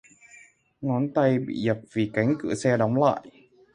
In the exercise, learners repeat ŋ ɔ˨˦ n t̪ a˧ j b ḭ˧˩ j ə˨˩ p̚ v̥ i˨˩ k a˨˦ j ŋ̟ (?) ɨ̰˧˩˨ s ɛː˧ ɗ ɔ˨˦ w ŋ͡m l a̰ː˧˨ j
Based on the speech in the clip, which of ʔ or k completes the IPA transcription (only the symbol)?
k